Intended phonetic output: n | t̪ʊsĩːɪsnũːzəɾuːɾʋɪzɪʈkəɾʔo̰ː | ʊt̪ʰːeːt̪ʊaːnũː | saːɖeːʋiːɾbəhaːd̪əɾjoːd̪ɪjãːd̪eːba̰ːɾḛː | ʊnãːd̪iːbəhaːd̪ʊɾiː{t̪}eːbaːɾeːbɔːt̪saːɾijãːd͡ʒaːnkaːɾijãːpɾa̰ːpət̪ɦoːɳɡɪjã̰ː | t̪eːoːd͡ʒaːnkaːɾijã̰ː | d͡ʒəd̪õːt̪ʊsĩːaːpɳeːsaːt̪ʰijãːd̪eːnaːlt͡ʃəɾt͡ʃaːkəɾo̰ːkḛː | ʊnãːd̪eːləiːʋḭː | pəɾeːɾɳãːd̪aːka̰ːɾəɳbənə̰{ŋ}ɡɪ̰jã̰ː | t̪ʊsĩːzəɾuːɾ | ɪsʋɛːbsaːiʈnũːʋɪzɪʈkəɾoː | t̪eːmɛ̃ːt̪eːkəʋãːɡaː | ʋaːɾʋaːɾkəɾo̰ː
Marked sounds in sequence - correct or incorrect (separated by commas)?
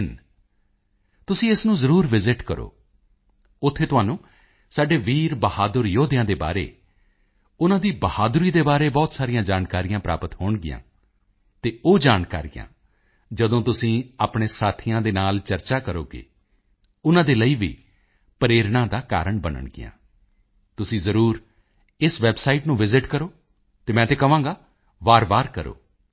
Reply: incorrect, incorrect